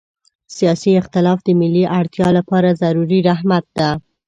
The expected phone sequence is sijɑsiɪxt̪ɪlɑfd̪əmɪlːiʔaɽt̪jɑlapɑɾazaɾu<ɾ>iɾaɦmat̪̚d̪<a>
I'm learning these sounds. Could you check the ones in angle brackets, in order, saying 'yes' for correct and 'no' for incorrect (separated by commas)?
yes, yes